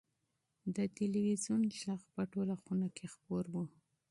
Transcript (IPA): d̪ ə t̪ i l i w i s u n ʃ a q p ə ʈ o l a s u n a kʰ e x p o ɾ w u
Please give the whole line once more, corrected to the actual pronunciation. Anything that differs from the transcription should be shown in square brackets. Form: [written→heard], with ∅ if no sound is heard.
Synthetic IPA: d̪ ə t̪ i l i w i [s→z] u n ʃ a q p ə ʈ o l a [s→x] u n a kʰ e x p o ɾ w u